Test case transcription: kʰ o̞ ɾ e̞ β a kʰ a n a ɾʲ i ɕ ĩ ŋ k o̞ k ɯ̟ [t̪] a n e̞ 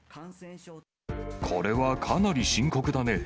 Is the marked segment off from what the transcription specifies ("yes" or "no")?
yes